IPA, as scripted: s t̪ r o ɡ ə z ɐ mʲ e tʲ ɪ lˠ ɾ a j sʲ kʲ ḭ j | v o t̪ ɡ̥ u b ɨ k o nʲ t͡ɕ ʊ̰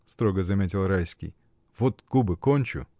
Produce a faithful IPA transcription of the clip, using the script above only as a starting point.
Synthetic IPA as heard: s t̪ ɾ o ɡ ə z ɐ mʲ e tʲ ɪ lˠ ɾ a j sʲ kʲ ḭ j | v o t̪ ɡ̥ u b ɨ k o nʲ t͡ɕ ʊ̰